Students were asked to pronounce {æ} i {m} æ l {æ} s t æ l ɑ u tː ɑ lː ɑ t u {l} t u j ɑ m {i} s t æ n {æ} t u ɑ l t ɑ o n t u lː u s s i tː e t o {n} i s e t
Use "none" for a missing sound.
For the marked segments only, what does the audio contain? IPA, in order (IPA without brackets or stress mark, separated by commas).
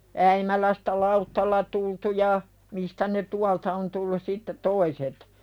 æ, m, æ, l, i, e, none